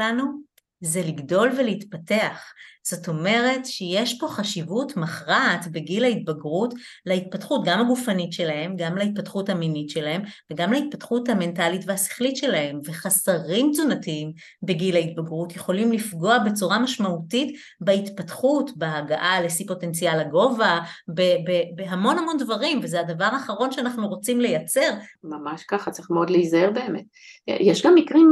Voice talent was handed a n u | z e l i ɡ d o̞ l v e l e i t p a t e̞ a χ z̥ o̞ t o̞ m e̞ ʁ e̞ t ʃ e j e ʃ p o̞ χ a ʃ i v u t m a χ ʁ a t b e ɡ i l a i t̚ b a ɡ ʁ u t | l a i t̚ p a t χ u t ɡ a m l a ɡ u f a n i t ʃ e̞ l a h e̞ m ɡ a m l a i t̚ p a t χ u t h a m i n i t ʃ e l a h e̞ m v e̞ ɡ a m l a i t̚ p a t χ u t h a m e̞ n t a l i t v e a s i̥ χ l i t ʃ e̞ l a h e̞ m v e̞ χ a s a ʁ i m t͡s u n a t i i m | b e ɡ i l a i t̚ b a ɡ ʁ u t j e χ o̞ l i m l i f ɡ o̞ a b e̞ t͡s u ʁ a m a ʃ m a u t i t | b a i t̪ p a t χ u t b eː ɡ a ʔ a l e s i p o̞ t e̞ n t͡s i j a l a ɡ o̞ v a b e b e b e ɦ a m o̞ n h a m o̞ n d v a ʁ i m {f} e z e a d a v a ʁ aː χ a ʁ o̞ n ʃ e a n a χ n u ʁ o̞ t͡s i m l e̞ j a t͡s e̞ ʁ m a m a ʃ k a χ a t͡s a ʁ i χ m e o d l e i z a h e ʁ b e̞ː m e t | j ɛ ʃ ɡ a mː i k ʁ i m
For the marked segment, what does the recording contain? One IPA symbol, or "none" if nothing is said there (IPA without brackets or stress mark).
v